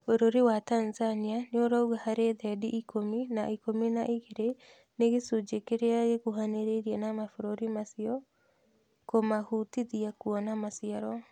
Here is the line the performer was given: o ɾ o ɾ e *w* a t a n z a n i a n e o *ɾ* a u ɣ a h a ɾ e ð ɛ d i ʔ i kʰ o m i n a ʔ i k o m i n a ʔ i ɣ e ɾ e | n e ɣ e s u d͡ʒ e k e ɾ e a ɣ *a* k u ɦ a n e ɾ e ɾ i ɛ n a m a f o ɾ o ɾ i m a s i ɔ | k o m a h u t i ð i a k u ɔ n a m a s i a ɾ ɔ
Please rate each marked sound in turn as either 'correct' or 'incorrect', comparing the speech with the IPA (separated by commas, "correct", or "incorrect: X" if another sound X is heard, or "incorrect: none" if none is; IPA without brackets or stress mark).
correct, correct, incorrect: e